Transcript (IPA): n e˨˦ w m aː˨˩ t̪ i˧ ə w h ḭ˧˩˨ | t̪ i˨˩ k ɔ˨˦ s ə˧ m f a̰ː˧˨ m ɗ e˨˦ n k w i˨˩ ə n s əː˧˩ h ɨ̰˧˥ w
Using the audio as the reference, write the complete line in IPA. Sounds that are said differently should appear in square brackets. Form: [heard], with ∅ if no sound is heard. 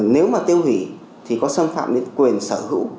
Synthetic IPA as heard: n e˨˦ w m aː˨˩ t̪ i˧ ə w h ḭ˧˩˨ | [t̪ʰ] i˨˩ k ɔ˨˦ s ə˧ m f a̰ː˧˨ m ɗ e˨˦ n k w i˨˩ ə n s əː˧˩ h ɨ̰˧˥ w